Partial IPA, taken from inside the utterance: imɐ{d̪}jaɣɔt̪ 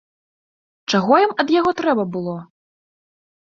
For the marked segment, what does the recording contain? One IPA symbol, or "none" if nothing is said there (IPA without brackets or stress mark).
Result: d̪